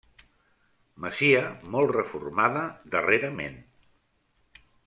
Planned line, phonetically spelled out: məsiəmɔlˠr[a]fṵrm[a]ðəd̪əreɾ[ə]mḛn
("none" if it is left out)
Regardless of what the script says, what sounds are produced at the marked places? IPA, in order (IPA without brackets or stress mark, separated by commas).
ə, a, ə